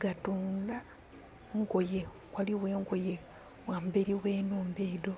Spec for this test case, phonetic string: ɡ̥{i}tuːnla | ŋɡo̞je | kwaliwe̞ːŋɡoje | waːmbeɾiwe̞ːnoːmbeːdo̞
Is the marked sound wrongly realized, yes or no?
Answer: yes